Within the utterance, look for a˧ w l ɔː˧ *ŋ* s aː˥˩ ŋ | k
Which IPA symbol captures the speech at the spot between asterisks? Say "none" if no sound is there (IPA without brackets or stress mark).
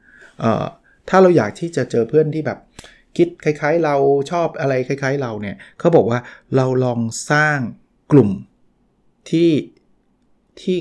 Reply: ŋ